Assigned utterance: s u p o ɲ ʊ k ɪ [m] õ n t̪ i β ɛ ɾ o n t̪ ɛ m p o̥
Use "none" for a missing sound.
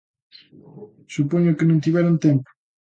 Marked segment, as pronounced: n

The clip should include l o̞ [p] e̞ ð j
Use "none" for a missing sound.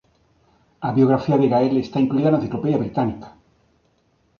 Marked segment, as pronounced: p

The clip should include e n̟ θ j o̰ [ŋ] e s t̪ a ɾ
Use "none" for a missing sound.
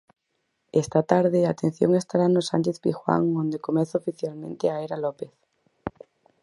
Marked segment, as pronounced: ŋ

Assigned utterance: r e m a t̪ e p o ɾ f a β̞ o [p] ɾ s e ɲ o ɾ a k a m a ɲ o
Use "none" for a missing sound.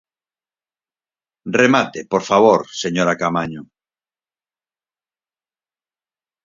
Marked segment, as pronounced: none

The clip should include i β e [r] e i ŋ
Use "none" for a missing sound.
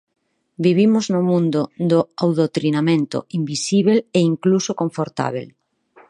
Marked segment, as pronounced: l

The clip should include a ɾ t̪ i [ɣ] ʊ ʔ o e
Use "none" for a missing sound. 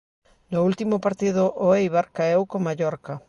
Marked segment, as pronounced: ð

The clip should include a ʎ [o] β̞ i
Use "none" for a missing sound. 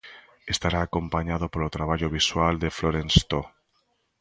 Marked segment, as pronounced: o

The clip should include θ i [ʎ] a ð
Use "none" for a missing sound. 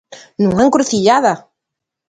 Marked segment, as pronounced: ʎ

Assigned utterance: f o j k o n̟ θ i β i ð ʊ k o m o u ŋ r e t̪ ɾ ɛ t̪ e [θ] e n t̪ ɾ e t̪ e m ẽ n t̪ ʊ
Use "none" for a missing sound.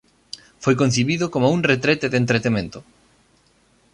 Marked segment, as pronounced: ð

